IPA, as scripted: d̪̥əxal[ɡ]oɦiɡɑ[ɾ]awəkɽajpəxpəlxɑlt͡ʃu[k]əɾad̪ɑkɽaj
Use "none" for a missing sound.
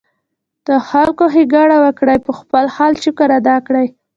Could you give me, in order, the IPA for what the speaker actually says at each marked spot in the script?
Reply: k, ɽ, k

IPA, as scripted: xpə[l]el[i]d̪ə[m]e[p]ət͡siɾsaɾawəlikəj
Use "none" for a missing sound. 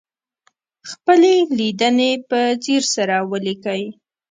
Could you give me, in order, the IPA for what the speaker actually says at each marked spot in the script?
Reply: l, i, n, p

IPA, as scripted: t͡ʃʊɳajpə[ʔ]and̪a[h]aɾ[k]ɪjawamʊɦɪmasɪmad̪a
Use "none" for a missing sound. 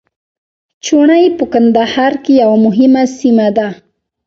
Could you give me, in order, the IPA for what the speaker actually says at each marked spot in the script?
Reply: k, h, k

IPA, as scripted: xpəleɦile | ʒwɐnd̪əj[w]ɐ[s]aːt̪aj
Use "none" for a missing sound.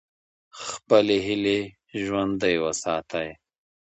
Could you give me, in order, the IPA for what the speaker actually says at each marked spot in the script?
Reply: w, s

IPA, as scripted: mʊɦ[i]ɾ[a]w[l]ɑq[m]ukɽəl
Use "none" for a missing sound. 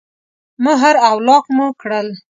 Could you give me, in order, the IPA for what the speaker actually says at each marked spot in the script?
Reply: a, a, l, m

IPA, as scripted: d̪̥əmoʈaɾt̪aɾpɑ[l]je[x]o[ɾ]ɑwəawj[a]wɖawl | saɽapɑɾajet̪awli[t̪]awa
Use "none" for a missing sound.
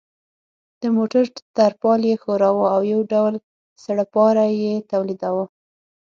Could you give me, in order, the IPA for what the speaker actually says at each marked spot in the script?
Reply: l, x, ɾ, a, d̪

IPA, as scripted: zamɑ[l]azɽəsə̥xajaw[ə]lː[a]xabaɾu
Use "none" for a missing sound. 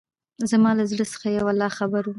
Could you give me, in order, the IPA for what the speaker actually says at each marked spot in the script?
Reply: l, a, ɑ

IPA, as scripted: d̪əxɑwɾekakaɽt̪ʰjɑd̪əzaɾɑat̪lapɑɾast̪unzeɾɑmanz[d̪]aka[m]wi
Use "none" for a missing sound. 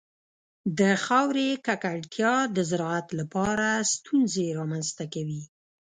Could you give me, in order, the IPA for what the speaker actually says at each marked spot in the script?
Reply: t̪, none

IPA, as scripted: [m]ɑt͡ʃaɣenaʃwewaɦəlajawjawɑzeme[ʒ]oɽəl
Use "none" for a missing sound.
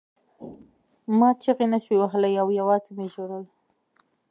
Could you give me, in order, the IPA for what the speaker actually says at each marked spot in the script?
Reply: m, ʒ

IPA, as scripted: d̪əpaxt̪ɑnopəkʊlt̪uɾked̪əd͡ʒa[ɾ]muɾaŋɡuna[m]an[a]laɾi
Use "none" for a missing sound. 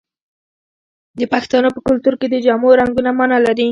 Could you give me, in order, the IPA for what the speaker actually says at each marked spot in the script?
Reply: none, m, a

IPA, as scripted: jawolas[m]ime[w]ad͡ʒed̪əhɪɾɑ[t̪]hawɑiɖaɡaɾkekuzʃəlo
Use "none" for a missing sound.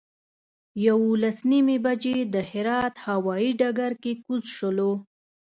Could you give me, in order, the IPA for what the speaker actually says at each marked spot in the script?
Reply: n, b, t̪

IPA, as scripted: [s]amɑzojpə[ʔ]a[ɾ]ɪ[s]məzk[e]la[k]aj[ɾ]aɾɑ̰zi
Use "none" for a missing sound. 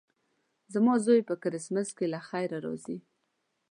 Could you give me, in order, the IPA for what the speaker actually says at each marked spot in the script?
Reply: z, k, ɾ, s, e, x, ɾ

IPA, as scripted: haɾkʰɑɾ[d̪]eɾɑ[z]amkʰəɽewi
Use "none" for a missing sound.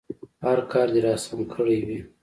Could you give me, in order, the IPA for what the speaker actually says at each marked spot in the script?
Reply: d̪, s

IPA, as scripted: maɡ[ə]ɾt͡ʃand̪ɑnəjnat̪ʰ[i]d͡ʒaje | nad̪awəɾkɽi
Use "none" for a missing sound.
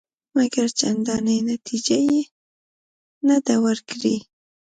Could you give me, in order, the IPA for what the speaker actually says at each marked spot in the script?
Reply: a, i

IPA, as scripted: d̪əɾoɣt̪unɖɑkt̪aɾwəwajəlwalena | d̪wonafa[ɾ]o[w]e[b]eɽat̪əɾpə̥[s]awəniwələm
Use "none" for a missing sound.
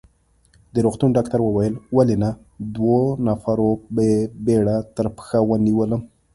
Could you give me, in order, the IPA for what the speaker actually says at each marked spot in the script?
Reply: ɾ, b, b, x

